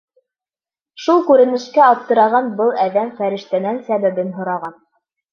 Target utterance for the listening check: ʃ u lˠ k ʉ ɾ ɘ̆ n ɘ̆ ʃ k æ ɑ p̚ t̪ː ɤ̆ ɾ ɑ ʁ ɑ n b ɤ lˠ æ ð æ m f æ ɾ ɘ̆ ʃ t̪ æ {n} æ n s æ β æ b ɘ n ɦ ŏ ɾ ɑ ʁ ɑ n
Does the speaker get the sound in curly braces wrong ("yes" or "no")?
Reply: no